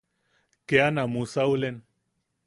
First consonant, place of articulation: velar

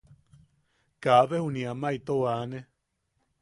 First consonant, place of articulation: velar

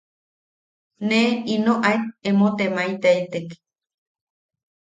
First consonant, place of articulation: alveolar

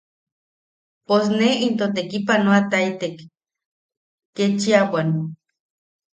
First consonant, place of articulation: labial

